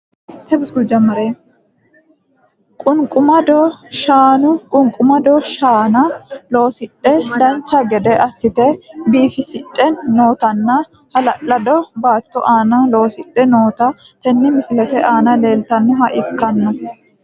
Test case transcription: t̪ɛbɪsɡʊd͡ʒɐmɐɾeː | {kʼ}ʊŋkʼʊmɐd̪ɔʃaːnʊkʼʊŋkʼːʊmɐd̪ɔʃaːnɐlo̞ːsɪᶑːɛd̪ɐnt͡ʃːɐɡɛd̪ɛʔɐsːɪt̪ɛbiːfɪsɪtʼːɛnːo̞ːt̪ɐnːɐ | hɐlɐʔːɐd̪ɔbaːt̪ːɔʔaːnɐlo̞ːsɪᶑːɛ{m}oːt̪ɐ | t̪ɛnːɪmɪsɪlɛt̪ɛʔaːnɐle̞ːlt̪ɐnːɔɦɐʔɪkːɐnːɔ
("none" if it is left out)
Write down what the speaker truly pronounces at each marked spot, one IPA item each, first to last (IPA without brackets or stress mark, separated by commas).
kʼ, n